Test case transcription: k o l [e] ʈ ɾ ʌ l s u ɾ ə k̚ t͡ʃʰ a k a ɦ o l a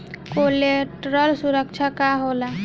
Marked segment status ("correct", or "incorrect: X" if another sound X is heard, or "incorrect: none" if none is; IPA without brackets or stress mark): correct